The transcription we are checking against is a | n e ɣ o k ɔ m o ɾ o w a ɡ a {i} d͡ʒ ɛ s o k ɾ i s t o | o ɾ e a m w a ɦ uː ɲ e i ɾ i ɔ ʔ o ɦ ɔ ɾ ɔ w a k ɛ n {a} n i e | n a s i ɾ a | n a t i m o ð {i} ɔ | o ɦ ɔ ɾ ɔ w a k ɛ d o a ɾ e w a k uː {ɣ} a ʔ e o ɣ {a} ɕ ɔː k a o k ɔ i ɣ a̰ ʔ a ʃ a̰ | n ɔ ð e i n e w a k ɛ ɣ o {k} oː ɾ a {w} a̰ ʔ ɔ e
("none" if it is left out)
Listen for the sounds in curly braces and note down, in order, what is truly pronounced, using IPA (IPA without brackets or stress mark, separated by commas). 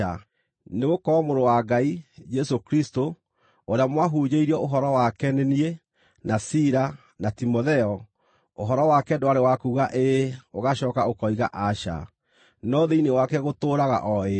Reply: i, e, ɛ, ɣ, a, t, ɣ